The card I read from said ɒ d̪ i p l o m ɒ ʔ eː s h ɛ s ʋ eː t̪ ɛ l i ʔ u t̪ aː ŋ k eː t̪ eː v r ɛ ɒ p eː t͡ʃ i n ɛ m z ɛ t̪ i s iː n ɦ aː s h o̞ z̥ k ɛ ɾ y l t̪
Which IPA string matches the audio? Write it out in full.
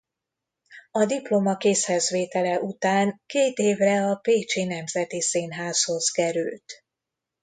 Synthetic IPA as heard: ɒ d̪ i p l o m ɒ k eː s h ɛ z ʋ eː t̪ ɛ l ɛ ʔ u t̪ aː ŋ k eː t̪ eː v r ɛ ɒ p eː t͡ʃ i n ɛ m z ɛ t̪ i s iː n ɦ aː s h o̞ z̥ k ɛ ɾ y l t̪